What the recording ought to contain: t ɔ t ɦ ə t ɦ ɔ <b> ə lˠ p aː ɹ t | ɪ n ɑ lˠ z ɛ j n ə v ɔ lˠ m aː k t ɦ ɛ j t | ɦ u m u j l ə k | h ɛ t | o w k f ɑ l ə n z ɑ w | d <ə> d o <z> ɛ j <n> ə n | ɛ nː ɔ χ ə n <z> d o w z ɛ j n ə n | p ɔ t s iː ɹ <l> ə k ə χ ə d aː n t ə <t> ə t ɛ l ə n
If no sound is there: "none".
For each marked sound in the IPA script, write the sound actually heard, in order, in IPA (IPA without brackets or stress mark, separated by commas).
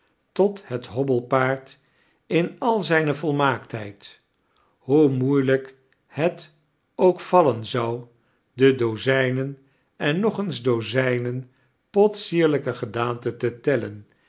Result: b, ə, z, n, z, l, t